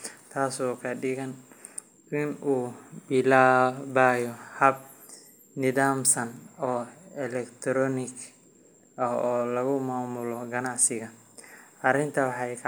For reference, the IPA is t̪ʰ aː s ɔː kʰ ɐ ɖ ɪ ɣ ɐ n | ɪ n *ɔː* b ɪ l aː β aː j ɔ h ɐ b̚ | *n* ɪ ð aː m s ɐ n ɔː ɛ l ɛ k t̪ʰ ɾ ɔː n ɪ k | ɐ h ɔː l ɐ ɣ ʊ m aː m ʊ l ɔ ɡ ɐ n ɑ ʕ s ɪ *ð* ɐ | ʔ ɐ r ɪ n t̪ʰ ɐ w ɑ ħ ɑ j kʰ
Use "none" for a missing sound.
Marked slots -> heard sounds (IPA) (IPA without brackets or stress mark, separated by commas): uː, n, ɣ